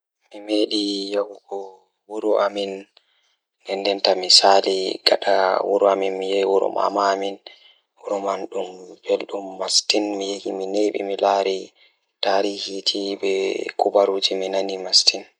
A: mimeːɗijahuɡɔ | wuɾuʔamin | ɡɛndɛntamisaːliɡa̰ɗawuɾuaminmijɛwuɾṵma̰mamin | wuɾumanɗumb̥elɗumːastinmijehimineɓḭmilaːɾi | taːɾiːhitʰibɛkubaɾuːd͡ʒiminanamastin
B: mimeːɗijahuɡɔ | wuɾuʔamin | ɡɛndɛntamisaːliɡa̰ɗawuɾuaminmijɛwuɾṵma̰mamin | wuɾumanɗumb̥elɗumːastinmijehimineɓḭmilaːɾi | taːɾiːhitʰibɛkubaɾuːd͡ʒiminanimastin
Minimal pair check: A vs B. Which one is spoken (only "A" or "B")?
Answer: B